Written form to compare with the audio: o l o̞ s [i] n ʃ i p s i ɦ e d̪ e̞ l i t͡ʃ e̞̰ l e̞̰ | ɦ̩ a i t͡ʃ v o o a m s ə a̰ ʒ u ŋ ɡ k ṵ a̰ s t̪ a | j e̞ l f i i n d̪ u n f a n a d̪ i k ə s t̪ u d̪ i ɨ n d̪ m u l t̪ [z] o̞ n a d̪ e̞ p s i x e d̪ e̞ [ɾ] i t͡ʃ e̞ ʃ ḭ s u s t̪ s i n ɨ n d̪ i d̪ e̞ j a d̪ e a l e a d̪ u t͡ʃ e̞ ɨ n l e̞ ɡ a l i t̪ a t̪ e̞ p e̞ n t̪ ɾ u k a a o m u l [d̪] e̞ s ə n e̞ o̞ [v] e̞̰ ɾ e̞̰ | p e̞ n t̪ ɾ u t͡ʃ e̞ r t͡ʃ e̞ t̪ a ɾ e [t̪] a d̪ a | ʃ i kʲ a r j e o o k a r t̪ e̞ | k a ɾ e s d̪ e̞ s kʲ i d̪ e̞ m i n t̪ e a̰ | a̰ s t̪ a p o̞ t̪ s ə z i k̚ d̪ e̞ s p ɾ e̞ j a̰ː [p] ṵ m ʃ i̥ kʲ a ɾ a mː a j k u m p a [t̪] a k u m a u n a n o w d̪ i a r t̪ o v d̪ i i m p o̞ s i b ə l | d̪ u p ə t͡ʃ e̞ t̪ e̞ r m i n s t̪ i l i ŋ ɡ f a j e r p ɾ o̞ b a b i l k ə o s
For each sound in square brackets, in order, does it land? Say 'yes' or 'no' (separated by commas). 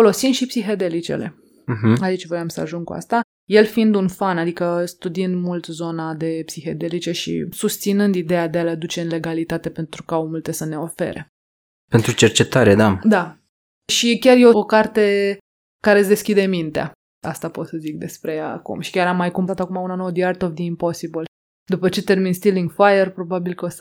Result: yes, yes, no, no, no, no, no, yes